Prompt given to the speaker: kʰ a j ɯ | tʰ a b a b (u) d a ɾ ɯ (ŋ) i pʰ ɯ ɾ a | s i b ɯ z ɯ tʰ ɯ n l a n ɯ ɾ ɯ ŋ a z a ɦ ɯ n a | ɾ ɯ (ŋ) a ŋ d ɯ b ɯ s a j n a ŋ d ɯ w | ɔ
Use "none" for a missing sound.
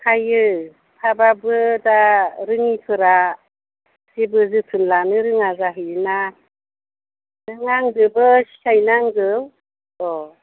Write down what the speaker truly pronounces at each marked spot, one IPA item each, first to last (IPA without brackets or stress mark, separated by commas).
ɯ, ŋ, ŋ